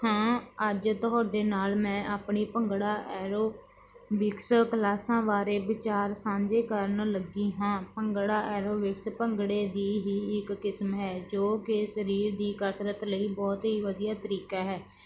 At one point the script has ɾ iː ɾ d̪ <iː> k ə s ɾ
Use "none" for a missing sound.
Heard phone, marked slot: iː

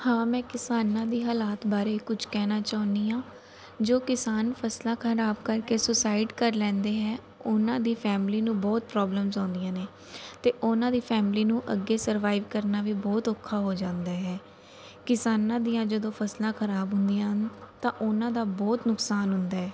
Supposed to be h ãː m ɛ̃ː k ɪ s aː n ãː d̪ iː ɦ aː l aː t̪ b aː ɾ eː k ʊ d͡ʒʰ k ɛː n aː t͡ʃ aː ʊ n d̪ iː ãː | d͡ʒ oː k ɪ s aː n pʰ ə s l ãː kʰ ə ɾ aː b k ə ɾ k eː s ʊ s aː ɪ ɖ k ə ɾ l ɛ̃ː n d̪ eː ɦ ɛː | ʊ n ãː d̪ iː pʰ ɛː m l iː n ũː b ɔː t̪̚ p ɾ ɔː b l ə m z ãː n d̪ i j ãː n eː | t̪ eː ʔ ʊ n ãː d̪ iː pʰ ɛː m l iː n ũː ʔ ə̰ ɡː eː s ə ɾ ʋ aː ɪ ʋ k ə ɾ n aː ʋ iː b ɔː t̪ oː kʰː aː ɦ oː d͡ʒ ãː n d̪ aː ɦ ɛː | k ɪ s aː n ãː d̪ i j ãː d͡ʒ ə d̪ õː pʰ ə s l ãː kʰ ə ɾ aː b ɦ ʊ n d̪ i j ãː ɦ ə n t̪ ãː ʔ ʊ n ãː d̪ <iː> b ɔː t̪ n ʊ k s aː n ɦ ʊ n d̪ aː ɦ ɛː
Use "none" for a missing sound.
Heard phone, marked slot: aː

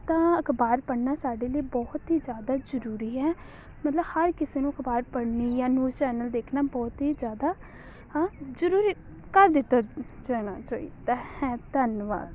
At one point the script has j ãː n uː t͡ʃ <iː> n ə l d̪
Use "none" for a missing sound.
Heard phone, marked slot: ɛː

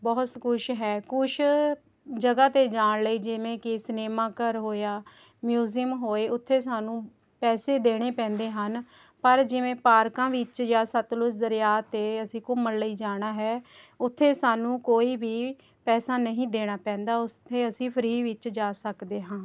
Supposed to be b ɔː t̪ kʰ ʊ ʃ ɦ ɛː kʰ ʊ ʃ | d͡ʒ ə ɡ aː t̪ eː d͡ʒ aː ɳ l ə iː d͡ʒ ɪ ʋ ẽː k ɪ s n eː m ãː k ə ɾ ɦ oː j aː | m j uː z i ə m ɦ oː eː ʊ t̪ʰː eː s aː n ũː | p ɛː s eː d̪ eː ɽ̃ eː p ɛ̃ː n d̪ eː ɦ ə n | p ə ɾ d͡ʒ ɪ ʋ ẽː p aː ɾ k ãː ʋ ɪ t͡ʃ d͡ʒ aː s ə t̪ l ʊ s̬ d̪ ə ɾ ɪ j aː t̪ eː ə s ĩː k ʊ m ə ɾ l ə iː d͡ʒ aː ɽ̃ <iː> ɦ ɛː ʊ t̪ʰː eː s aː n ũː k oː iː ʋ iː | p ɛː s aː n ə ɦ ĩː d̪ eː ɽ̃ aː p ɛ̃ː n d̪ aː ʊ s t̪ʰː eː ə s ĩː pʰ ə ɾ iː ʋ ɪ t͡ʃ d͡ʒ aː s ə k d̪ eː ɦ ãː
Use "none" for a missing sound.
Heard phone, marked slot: aː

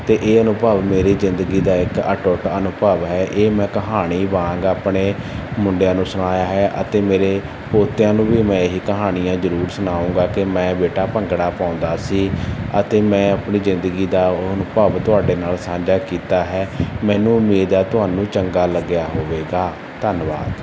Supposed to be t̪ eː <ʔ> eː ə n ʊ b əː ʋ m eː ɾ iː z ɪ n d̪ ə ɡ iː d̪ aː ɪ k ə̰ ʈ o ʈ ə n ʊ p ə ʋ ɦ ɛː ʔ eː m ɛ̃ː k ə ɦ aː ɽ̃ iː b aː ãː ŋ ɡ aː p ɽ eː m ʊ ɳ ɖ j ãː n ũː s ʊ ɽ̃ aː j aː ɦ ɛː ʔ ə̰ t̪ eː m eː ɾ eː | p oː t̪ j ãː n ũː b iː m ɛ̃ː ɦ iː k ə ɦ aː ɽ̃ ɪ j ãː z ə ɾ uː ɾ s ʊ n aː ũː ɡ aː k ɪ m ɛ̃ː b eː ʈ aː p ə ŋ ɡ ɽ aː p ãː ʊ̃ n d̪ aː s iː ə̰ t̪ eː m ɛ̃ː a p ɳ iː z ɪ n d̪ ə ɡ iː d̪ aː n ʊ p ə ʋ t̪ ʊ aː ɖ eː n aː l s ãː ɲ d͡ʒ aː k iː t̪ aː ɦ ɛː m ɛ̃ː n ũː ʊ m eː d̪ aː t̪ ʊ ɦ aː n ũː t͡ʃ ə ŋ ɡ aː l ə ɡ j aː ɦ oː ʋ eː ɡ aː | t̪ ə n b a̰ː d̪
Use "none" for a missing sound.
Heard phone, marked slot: ʔ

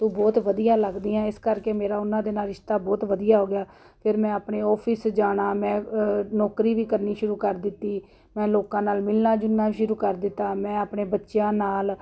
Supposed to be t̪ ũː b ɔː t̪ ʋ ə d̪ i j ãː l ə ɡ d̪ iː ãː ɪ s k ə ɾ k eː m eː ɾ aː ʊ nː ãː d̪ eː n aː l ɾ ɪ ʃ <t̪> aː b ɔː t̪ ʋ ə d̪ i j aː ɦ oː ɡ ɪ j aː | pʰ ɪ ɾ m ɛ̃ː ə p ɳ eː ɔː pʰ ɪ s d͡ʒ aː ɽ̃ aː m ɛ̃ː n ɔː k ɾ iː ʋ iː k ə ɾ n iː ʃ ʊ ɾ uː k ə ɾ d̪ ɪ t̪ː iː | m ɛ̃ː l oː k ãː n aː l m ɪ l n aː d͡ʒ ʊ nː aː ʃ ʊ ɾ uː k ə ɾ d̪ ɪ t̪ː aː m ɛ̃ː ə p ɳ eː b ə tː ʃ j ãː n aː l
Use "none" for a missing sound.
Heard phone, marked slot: t̪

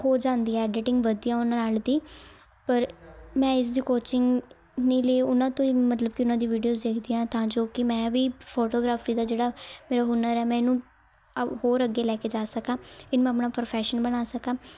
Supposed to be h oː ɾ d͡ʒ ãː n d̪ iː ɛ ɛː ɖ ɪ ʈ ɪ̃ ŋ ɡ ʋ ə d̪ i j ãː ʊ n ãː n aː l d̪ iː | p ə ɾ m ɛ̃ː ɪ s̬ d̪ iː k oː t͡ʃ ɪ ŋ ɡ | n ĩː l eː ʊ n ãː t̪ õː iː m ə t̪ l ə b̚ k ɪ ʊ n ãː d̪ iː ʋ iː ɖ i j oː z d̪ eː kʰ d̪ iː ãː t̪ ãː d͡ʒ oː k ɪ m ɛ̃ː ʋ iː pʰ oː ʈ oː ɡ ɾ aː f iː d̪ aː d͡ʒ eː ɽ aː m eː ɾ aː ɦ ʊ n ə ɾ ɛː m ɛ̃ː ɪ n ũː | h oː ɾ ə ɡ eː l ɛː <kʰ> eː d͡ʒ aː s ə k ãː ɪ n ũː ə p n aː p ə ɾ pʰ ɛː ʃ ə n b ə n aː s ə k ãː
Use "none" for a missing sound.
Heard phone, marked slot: k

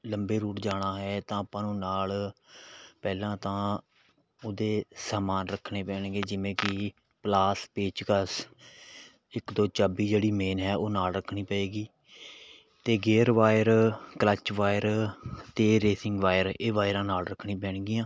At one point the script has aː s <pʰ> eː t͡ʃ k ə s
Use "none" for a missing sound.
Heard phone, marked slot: p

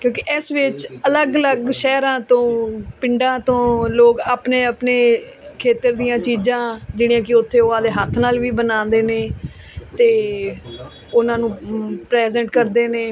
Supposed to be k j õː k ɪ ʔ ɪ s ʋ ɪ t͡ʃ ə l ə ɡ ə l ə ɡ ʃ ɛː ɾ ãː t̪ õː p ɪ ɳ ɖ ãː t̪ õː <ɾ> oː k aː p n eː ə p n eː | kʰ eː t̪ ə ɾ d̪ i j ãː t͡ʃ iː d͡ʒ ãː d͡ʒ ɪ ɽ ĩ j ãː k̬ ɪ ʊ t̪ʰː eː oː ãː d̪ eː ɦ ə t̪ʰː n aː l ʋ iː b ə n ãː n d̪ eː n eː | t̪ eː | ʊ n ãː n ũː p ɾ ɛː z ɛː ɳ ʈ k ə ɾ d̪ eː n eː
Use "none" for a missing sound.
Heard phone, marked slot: l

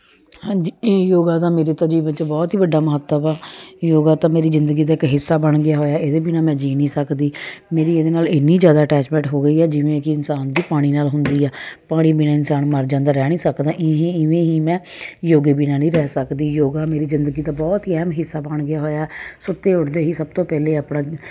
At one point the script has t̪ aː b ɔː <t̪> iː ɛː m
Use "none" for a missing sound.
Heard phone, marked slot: t̪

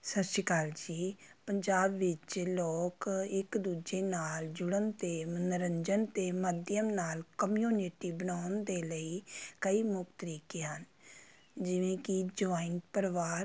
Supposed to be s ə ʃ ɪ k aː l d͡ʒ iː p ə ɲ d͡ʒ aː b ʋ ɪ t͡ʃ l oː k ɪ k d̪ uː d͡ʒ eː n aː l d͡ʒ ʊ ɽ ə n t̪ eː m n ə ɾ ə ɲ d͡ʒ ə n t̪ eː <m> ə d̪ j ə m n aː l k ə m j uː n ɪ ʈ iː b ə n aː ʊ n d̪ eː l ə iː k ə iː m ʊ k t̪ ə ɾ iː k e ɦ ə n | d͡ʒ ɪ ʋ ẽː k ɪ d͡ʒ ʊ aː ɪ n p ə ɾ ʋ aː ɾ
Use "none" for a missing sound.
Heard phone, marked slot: m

